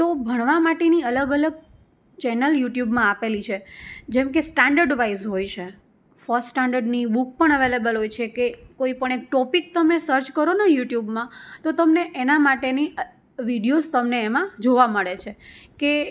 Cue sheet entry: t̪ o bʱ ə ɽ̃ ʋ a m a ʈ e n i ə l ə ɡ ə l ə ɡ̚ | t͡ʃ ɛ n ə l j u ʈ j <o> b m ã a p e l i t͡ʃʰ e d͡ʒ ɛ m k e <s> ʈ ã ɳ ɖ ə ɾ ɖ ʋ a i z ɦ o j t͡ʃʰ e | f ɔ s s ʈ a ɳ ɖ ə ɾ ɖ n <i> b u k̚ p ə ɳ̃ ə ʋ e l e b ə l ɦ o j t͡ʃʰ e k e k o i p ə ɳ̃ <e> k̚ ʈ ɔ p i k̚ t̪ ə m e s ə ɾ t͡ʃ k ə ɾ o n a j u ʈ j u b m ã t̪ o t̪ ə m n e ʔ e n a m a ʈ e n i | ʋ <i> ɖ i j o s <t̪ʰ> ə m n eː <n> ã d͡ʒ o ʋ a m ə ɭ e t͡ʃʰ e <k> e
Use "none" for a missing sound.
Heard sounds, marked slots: u, s, i, e, i, t̪, m, k

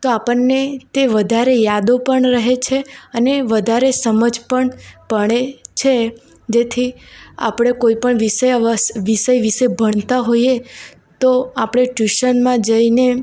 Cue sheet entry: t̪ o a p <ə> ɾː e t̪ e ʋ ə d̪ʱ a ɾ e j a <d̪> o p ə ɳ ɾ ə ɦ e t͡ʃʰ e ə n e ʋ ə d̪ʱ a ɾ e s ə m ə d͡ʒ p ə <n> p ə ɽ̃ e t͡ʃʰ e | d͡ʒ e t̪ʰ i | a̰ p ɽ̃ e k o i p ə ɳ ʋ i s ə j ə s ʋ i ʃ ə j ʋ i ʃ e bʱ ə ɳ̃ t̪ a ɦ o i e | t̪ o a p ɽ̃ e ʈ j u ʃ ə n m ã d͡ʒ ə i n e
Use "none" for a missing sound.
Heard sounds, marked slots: ə, d̪, ɳ

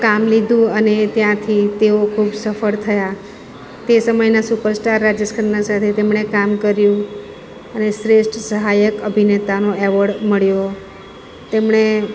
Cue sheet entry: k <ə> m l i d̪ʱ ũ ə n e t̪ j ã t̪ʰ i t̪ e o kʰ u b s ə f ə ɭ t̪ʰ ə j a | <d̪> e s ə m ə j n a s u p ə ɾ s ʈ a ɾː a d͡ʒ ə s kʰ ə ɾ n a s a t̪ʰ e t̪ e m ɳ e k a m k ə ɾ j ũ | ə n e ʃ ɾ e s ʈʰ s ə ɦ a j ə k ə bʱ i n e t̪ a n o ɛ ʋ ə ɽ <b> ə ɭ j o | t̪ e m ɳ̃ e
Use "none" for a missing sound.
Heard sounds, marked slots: a, t̪, m

